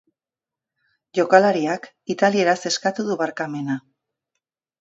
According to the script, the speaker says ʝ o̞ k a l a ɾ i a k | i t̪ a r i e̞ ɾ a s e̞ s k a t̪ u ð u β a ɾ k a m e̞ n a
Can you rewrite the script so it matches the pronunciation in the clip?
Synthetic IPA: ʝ o̞ k a l a ɾ i a k | i t̪ a l i e̞ ɾ a s e̞ s k a t̪ u ð u β a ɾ k a m e̞ n a